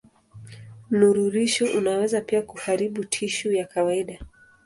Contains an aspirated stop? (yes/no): yes